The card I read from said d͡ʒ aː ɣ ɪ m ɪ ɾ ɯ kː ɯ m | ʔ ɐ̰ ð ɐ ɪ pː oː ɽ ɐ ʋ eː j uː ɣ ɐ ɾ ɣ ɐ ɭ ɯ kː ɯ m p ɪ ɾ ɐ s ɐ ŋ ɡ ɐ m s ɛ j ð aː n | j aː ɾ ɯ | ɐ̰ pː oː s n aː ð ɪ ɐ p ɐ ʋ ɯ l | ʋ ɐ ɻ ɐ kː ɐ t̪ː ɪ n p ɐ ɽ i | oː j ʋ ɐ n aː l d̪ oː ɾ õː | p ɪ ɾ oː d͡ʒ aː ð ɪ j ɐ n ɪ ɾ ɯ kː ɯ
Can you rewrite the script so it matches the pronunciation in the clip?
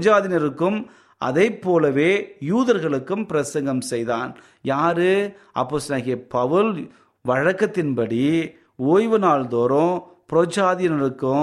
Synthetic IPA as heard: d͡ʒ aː ð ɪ n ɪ ɾ ɯ kː ɯ m | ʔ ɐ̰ ð ɐ ɪ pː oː l ɐ ʋ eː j uː ð ɐ ɾ ɣ ɐ ɭ ɯ kː ɯ m p ɪ ɾ ɐ s ɐ ŋ ɡ ɐ m s ɛ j ð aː n | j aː ɾ ɯ | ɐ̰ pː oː s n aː ɣ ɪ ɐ p ɐ ʋ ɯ l | ʋ ɐ ɻ ɐ kː ɐ t̪ː ɪ n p ɐ ɽ i | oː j ʋ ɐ n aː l d̪ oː ɾ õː | p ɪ ɾ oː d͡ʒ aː ð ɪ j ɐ n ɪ ɾ ɯ kː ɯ